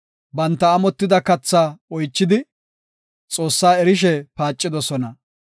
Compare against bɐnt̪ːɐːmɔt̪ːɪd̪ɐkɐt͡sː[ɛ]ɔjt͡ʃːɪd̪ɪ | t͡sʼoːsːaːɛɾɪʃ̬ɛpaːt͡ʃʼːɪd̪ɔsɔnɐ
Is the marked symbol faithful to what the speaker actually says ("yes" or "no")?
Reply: no